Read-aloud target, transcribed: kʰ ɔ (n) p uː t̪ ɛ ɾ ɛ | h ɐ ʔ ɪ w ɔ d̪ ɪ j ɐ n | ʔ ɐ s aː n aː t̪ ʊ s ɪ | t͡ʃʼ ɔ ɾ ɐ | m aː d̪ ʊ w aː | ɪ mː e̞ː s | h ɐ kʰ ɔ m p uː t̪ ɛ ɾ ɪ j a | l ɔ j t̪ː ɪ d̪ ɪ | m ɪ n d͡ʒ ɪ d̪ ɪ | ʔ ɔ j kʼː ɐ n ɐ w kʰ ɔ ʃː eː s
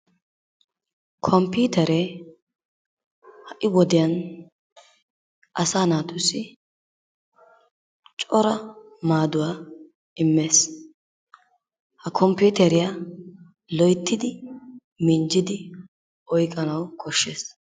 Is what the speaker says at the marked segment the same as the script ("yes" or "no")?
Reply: no